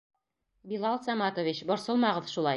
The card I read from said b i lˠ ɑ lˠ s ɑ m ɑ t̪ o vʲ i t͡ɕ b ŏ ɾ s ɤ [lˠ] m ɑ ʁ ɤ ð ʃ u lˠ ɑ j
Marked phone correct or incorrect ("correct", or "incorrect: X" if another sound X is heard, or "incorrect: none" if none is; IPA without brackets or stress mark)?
correct